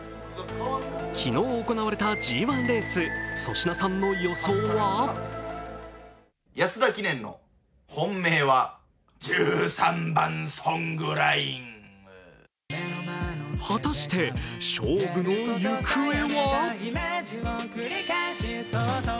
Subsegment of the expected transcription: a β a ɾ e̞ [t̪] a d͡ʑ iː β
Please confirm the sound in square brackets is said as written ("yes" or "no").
yes